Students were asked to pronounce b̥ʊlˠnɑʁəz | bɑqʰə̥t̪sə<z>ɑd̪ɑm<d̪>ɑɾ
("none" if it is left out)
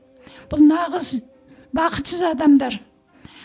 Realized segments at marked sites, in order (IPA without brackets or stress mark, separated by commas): z, d̪